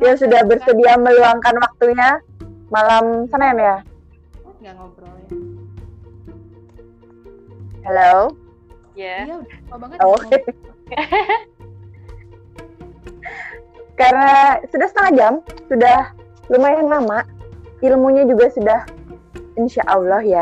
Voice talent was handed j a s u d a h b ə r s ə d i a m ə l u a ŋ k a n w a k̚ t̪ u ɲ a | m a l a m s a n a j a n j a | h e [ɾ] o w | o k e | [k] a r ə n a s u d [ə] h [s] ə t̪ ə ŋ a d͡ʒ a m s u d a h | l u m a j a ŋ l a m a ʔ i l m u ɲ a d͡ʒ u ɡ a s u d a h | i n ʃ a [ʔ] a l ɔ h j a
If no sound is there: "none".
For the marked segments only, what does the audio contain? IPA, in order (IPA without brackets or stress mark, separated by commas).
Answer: l, k, a, s, ʔ